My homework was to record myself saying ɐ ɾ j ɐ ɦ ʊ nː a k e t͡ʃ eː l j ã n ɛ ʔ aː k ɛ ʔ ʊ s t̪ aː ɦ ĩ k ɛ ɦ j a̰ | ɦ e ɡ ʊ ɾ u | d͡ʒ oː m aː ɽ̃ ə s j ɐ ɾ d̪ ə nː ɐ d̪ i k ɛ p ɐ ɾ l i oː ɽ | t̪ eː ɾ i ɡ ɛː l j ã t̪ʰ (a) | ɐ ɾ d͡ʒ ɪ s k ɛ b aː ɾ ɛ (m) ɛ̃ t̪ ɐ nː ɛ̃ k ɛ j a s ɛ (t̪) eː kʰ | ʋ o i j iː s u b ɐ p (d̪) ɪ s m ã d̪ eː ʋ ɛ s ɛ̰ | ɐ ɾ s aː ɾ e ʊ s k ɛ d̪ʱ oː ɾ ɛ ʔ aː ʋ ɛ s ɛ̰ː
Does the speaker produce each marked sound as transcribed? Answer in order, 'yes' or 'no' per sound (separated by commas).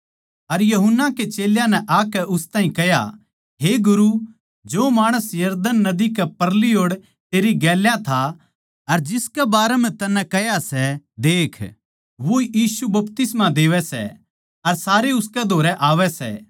yes, yes, no, no